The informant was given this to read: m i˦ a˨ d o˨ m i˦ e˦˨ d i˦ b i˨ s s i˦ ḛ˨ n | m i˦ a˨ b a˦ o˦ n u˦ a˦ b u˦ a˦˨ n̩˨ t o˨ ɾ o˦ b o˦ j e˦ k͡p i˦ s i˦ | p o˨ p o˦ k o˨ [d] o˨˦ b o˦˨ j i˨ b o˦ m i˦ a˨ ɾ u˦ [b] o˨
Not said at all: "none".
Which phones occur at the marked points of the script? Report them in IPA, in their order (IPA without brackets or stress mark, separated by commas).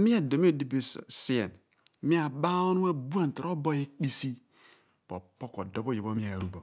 d, b